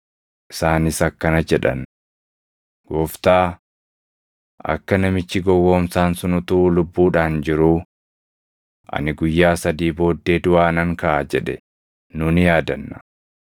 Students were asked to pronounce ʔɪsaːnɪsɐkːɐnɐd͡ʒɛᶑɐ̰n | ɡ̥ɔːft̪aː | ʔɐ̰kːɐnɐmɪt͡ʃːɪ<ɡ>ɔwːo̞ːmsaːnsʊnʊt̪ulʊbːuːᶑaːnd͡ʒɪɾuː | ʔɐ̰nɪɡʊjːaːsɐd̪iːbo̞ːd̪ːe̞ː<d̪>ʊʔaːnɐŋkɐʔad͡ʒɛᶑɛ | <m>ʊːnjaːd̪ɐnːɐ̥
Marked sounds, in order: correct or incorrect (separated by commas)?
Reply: correct, correct, incorrect